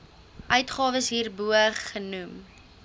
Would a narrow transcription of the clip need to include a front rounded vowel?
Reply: yes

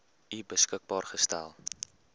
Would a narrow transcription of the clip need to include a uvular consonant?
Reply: yes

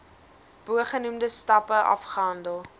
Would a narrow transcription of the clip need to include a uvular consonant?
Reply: yes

